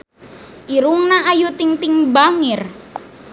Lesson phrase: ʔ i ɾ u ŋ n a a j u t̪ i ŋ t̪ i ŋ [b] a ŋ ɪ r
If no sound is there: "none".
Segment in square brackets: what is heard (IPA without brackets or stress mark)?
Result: b